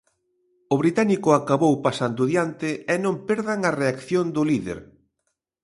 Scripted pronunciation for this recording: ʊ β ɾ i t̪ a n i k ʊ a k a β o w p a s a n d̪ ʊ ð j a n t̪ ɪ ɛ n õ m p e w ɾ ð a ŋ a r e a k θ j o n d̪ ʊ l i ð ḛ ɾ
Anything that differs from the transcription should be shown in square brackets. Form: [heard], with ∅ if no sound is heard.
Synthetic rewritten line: ʊ β ɾ i t̪ a n i k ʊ a k a β o w p a s a n d̪ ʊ ð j a n t̪ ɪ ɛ n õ m p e [∅] ɾ ð a ŋ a r e a k θ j o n d̪ ʊ l i ð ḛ ɾ